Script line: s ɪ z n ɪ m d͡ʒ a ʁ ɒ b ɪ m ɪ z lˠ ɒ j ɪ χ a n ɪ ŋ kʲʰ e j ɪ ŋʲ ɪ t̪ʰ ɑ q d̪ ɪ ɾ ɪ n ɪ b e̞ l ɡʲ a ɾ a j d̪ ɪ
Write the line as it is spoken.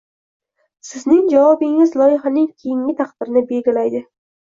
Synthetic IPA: s ɪ z n ɪ ŋ d͡ʒ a v ɒ b ɪ ŋ ɪ z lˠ ɒ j ɪ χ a n ɪ ŋ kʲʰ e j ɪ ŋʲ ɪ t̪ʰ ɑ q d̪ ɪ ɾ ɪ n ɪ b e̞ l ɡʲ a l a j d̪ ɪ

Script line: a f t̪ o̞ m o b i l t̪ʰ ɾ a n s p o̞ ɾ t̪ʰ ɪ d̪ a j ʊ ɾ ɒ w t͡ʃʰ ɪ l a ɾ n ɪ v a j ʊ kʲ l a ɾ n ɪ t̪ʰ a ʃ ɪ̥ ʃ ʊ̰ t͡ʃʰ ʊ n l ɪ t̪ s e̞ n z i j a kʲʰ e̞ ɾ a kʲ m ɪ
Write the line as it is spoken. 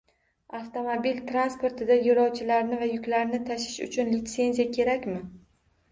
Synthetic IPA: a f t̪ o̞ m o b i l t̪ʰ ɾ a n s p o̞ ɾ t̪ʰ ɪ d̪ a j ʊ ɾ ɒ w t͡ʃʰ ɪ l a ɾ n ɪ v a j ʊ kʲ l a ɾ n ɪ t̪ʰ a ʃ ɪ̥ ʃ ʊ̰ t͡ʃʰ ʊ n l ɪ t̪ s e̞ n z i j a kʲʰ e̞ ɾ a kʲ m ɪ

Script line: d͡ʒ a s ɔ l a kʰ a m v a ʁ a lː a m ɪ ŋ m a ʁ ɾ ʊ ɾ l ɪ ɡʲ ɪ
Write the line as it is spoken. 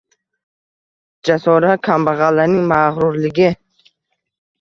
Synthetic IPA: d͡ʒ a s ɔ ɾ a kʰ a m b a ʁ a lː a n ɪ ŋ m a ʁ ɾ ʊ ɾ l ɪ ɡʲ ɪ

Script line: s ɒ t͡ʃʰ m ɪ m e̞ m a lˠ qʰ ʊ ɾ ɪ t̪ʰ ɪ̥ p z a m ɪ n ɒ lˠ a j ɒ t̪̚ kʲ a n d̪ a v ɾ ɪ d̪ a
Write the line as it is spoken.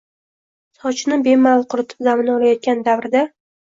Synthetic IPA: s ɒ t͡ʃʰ n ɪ b e̞ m a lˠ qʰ ʊ ɾ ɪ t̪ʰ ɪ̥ p z a m ɪ n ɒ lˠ a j ɒ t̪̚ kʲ a n d̪ a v ɾ ɪ d̪ a

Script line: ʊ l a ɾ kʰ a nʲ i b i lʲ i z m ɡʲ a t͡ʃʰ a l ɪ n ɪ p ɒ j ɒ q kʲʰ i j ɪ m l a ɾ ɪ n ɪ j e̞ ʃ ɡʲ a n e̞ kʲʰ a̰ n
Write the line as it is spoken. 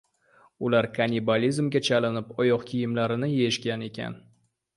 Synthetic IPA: ʊ l a ɾ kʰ a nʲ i b a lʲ i z m ɡʲ a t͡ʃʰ a l ɪ n ɪ p ɒ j ɒ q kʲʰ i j ɪ m l a ɾ ɪ n ɪ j e̞ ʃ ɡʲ a n e̞ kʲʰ a̰ n

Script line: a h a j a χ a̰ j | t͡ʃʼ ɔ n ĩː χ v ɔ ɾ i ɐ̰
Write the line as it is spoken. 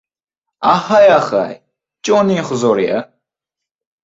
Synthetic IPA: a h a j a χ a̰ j | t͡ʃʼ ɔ n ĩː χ z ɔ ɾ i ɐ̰

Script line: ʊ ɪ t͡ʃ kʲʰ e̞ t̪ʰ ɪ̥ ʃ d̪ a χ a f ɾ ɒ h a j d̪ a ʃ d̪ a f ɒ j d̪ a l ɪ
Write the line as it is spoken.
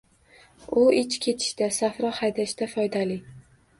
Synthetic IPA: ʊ ɪ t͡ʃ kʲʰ e̞ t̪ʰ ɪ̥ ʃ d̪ a s a f ɾ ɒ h a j d̪ a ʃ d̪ a f ɒ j d̪ a l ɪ

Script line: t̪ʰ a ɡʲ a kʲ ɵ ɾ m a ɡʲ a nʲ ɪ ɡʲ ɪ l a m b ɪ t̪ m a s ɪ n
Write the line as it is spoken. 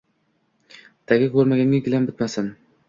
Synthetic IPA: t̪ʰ a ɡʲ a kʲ ɵ ɾ m a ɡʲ a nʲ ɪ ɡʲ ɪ l a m b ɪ t̪ m a s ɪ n

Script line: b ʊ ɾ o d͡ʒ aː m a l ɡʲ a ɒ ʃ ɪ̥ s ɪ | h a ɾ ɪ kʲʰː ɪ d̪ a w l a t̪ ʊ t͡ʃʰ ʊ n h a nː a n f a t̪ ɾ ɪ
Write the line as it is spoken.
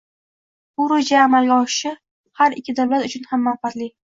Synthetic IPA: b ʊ ɾ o d͡ʒ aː m a l ɡʲ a ɒ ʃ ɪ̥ ʃ ɪ | h a ɾ ɪ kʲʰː ɪ d̪ a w l a t̪ ʊ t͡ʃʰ ʊ n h a mː a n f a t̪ l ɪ

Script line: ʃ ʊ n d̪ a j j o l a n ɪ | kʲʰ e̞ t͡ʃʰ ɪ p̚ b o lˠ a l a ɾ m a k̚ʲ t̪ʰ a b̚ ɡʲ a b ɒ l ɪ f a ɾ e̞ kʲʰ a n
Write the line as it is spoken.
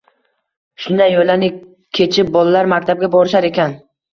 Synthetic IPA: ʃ ʊ n d̪ a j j o l a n ɪ | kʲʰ e̞ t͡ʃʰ ɪ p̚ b ɒ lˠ a l a ɾ m a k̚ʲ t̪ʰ a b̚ ɡʲ a b ɒ ɾ ɪ ʃ a ɾ e̞ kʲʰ a n

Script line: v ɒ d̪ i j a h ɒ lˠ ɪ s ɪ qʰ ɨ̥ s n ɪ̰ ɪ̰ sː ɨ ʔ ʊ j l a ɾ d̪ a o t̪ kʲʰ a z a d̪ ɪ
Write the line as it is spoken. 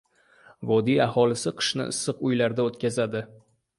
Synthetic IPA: v ɒ d̪ i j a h ɒ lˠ ɪ s ɪ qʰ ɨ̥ ʃ n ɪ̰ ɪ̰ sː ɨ q ʊ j l a ɾ d̪ a o t̪ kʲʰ a z a d̪ ɪ

